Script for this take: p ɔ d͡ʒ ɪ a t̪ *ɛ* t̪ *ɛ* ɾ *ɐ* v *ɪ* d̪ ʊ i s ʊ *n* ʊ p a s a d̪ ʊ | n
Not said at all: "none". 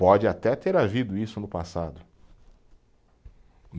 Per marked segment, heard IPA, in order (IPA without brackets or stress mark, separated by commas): ɛ, e, a, i, n